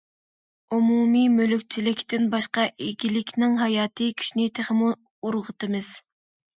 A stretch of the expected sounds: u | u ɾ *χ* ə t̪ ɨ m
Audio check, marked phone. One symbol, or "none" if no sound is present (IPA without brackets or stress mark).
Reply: ʁ